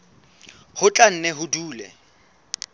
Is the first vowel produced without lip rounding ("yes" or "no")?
no